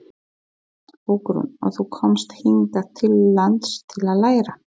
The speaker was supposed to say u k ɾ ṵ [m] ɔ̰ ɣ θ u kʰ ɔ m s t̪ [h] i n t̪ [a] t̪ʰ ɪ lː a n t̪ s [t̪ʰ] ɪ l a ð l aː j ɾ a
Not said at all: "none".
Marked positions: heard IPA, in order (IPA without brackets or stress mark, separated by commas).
n, h, a, t̪ʰ